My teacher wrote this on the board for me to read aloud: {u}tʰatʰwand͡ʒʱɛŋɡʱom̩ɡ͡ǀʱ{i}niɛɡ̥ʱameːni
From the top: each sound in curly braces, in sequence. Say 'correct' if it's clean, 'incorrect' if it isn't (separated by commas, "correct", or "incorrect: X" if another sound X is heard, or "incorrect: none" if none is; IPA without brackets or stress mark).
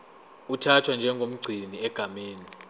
correct, correct